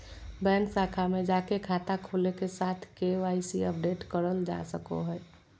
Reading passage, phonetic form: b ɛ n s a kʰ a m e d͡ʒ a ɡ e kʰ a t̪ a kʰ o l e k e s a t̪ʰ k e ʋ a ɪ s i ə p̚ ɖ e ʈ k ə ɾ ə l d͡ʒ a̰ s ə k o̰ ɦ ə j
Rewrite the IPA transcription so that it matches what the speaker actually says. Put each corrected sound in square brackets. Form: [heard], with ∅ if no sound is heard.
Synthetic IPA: b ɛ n s a kʰ a m e d͡ʒ a [k] e kʰ a t̪ a kʰ o l e k e s a t̪ʰ k e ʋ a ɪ s i ə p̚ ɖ e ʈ k ə ɾ ə l d͡ʒ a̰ s ə k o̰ ɦ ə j